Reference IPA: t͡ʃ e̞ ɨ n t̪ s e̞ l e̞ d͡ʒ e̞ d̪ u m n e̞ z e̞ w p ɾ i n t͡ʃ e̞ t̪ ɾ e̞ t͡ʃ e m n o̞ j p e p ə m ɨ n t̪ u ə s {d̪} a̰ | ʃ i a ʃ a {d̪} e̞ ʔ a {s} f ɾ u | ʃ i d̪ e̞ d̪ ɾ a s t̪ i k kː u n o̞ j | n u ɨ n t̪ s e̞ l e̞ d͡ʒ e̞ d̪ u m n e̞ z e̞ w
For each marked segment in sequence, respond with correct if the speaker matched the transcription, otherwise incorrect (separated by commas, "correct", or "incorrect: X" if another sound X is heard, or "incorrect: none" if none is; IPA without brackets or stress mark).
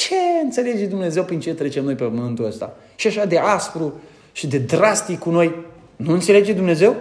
incorrect: t̪, correct, correct